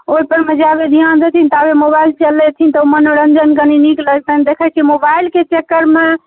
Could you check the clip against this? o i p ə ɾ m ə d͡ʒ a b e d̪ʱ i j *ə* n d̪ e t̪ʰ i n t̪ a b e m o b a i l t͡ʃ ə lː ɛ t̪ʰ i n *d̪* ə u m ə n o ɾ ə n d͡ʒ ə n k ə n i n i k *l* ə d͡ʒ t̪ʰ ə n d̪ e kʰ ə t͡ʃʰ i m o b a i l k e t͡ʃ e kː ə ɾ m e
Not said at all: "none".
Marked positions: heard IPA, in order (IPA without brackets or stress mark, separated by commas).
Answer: a, t̪, l